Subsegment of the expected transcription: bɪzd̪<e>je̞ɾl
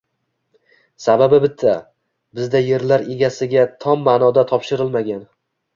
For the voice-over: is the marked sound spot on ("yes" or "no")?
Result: no